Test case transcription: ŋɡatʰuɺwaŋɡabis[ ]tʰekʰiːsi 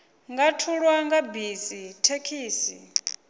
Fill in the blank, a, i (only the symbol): i